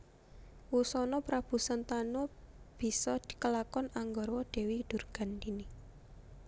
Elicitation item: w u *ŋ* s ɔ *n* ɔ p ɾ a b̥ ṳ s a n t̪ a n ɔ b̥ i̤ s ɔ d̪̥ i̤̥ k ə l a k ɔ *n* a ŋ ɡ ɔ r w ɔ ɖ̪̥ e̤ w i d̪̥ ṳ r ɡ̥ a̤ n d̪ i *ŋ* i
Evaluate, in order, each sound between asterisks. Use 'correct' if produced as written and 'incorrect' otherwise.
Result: incorrect, correct, correct, incorrect

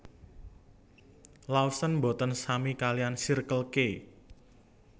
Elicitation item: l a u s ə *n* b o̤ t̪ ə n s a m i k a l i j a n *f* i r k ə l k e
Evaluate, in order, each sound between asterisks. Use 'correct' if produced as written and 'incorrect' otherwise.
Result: correct, incorrect

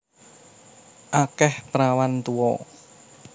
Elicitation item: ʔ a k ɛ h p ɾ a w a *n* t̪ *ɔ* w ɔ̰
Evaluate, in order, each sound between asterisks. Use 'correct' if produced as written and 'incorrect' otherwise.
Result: correct, incorrect

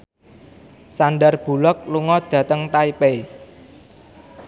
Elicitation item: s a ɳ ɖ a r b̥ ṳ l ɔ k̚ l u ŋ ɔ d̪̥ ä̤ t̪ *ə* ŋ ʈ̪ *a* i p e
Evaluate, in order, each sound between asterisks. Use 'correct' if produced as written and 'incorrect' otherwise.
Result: correct, correct

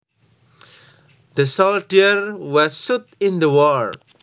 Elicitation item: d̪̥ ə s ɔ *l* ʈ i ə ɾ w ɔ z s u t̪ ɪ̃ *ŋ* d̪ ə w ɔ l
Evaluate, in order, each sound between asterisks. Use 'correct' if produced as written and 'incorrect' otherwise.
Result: correct, incorrect

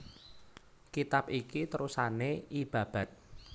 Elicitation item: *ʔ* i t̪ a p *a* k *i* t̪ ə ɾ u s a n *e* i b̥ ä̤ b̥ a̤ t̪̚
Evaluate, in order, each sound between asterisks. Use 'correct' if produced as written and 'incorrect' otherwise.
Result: incorrect, incorrect, correct, correct

